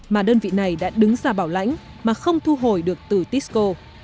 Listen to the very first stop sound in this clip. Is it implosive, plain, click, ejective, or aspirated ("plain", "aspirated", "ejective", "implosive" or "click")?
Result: implosive